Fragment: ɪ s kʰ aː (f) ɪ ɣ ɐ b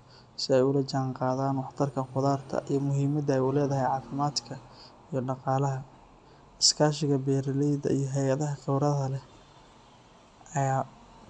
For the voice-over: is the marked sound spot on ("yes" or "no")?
no